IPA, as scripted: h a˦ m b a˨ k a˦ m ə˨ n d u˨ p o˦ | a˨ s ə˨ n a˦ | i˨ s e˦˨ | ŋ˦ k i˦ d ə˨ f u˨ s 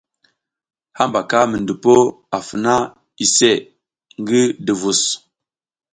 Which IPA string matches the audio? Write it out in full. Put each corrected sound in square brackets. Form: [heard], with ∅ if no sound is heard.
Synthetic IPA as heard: h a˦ m b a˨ k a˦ m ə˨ n d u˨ p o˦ | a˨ [f] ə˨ n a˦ | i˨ s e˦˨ | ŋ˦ [ɡ] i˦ d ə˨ [v] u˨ s